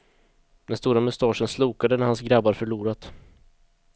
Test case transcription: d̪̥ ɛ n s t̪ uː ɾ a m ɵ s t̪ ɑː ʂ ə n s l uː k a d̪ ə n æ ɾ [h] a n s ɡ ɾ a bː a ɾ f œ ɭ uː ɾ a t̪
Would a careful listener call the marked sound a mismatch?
no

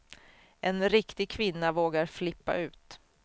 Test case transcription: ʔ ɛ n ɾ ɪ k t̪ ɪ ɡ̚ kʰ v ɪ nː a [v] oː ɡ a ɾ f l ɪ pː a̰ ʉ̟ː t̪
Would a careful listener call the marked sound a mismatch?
no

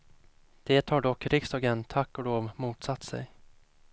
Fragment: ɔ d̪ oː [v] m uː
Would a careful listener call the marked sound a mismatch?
no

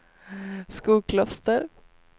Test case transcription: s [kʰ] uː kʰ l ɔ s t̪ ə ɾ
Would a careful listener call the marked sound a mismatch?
yes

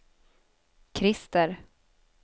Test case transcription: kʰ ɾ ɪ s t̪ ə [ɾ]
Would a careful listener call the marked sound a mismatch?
no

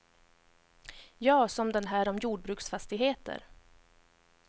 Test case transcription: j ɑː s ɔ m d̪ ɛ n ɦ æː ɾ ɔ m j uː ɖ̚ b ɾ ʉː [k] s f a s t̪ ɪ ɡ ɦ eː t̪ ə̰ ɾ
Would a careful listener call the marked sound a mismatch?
no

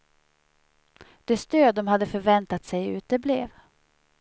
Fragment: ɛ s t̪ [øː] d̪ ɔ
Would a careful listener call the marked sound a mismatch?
no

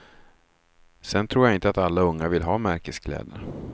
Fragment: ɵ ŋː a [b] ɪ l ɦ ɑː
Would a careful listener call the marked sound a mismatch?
yes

